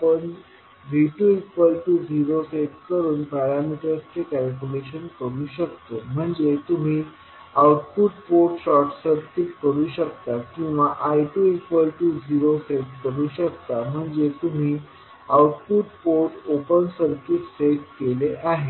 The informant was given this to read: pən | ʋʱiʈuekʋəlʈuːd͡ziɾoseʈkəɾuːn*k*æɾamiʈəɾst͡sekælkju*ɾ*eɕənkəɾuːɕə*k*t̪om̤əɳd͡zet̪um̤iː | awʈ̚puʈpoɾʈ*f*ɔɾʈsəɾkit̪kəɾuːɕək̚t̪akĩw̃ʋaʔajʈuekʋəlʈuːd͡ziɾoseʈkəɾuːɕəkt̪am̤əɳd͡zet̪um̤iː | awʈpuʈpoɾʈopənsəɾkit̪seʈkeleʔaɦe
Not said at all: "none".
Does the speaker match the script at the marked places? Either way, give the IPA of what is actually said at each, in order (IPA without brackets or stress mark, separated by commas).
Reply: p, l, k, ɕ